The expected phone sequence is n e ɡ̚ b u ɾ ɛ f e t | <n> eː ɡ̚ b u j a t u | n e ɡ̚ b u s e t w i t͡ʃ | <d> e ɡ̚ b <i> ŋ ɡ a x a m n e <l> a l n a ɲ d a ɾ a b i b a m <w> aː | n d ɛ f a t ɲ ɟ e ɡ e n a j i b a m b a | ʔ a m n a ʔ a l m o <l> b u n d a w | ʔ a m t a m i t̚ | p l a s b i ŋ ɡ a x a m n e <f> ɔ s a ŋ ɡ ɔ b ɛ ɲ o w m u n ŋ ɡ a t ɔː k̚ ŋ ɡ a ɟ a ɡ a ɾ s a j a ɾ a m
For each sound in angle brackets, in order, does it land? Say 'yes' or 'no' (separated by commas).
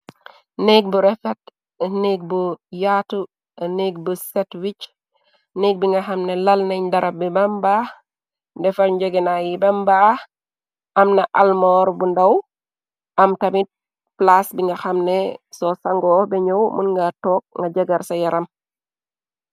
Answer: yes, no, yes, yes, no, no, no